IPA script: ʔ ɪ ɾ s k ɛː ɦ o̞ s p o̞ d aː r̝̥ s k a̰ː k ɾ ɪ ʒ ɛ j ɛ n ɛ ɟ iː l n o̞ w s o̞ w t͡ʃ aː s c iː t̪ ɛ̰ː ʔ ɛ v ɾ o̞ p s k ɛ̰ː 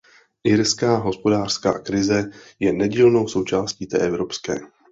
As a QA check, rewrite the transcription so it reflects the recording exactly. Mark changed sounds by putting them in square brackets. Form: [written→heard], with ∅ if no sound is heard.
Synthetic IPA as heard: ʔ ɪ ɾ s k [ɛː→aː] ɦ o̞ s p o̞ d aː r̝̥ s k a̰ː k ɾ ɪ [ʒ→z] ɛ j ɛ n ɛ ɟ iː l n o̞ w s o̞ w t͡ʃ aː s c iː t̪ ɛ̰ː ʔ ɛ v ɾ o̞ p s k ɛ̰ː